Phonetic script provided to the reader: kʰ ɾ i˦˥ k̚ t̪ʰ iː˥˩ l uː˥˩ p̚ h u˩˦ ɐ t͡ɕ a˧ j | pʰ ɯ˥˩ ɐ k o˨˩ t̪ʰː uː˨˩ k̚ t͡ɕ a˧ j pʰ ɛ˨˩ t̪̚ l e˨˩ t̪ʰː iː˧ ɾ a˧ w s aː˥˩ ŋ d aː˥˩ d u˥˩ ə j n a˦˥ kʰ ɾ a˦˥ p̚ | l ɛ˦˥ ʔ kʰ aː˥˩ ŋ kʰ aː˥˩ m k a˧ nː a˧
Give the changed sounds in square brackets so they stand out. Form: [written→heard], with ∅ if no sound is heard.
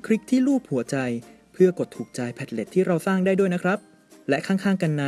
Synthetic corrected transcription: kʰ ɾ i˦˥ k̚ t̪ʰ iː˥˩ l uː˥˩ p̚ h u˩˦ ɐ t͡ɕ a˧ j | pʰ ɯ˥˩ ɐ k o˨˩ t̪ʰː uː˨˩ k̚ t͡ɕ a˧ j pʰ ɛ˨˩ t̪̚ l e˨˩ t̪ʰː [iː˧→iː˥˩] ɾ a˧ w s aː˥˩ ŋ d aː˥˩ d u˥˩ ə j n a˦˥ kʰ ɾ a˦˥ p̚ | l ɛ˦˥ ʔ kʰ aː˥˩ ŋ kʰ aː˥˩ [m→ŋ] k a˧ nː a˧